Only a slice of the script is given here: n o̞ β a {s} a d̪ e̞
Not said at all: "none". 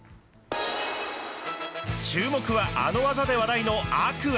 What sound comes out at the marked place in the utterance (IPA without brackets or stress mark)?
z